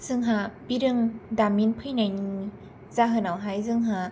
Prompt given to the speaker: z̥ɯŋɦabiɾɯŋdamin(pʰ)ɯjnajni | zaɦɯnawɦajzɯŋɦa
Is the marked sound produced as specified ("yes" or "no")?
yes